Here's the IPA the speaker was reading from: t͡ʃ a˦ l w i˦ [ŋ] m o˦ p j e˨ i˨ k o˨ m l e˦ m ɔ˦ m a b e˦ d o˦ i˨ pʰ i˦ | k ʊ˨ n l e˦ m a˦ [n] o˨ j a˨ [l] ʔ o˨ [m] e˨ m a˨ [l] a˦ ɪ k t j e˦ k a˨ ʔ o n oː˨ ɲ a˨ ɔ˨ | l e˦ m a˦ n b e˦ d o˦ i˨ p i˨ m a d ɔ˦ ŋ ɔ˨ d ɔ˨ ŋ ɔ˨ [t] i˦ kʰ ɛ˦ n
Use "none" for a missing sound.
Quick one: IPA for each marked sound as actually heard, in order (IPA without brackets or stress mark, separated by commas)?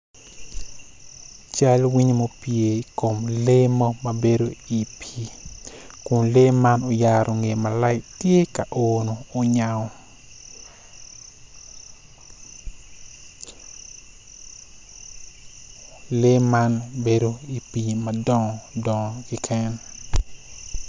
ɲ, n, ɾ, ŋ, l, k